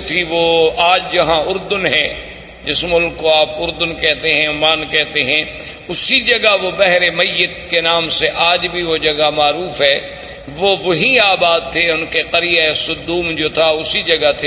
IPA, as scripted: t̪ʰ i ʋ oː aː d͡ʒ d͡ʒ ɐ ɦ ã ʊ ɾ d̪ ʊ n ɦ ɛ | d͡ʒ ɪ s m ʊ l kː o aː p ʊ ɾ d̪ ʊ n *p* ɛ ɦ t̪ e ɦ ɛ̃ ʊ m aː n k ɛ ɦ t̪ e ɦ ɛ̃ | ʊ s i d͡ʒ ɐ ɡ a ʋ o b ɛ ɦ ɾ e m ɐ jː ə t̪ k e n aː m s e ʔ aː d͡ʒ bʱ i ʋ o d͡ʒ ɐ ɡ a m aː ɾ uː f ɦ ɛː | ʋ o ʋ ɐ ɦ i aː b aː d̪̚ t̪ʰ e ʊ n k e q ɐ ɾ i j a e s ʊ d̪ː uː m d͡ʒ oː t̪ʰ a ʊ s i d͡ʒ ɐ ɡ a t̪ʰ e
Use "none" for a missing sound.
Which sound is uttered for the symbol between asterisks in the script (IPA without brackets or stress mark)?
k